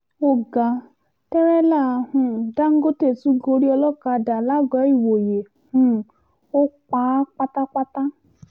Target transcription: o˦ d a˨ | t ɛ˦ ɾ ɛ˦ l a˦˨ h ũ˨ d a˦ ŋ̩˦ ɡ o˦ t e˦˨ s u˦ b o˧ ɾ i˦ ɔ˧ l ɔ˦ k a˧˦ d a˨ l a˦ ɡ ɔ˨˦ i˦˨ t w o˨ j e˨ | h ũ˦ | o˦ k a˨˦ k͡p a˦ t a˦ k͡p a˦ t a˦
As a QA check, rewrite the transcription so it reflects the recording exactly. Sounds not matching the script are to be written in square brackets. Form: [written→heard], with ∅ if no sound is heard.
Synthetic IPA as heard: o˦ [d→ɡ] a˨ | t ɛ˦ ɾ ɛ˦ l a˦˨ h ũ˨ d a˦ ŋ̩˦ ɡ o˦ t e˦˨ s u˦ [b→ɡ] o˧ ɾ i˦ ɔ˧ l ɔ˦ k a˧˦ d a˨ l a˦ ɡ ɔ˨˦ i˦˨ [t→∅] w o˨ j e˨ | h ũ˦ | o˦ [k→k͡p] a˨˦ k͡p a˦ t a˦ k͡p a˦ t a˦